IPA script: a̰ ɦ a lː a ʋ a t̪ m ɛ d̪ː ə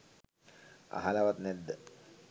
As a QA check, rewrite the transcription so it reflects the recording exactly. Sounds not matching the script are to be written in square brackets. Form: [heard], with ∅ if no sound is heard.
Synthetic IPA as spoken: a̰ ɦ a [l] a ʋ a t̪ [n] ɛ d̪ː ə